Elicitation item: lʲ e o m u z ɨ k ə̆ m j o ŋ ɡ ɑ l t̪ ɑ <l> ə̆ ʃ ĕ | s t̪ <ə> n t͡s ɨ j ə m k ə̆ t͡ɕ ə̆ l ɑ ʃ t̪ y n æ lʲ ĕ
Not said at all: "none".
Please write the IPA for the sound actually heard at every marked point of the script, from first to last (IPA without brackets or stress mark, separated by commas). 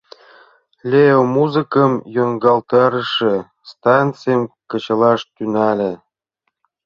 ɾ, ɑ